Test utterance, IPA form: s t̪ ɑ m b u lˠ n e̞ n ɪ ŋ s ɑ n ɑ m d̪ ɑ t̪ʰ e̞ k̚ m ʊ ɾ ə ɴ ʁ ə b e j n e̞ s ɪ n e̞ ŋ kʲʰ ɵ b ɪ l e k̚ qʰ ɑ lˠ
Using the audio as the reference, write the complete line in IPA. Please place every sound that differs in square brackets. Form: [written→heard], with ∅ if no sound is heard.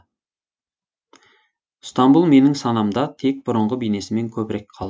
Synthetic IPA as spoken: s t̪ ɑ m b u lˠ [n→m] e̞ n ɪ ŋ s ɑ n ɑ m d̪ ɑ t̪ʰ e̞ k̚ [m→b] ʊ ɾ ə ɴ ʁ ə b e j n e̞ s ɪ [n→m] e̞ ŋ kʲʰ ɵ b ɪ [l→ɾ] e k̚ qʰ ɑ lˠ

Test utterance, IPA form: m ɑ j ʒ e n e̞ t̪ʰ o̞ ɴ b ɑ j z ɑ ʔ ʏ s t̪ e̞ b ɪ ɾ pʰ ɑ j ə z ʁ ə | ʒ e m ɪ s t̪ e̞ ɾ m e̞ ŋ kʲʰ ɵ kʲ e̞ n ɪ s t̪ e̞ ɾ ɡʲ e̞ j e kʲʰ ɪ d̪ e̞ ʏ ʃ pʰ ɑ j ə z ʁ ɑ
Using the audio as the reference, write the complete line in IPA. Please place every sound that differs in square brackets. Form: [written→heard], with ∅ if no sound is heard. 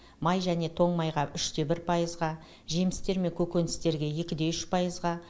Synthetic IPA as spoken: m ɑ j ʒ [e→æ] n e̞ t̪ʰ o̞ ɴ [b→m] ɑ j [z→ʁ] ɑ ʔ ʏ [s→ʃ] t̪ e̞ b ɪ ɾ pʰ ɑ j ə z ʁ [ə→ɑ] | ʒ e m ɪ s t̪ e̞ ɾ m e̞ ŋ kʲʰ ɵ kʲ e̞ n ɪ s t̪ e̞ ɾ ɡʲ e̞ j e [kʲʰ→kʲ] ɪ d̪ e̞ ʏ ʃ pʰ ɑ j ə z ʁ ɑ

